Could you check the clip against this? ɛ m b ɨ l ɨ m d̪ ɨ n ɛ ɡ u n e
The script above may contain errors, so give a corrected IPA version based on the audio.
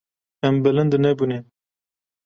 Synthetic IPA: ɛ m b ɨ l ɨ n d̪ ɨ n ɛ b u n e